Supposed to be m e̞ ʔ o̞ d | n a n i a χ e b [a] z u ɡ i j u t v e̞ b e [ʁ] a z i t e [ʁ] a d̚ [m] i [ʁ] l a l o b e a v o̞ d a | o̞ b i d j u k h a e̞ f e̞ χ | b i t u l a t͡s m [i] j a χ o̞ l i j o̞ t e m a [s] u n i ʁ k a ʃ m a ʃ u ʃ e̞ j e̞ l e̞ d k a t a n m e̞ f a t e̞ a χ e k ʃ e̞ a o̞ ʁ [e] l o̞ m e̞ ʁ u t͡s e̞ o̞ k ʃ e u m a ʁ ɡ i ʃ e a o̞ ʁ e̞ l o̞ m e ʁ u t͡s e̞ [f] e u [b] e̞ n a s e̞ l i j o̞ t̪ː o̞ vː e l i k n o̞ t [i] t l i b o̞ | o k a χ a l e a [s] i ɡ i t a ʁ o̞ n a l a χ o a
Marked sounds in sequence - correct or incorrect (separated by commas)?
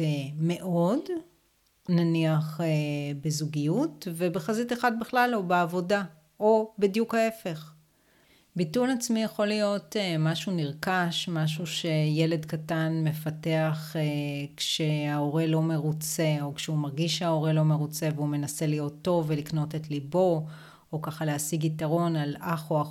incorrect, incorrect, incorrect, incorrect, incorrect, correct, incorrect, correct, incorrect, incorrect, incorrect, correct